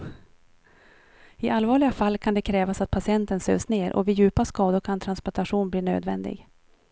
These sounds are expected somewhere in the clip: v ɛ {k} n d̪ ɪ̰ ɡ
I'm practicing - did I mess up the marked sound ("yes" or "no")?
yes